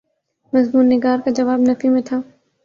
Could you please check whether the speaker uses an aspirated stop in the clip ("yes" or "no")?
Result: yes